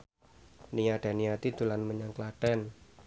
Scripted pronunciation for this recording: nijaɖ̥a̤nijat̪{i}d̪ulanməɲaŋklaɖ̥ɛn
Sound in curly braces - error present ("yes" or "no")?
no